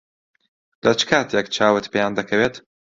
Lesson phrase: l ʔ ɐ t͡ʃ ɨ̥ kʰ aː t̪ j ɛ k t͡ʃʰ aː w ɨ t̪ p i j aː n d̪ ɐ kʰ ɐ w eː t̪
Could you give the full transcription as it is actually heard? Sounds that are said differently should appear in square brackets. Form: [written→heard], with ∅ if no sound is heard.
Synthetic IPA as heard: l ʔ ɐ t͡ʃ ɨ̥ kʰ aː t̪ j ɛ k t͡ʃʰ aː w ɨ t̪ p [i→e] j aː n d̪ ɐ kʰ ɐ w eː t̪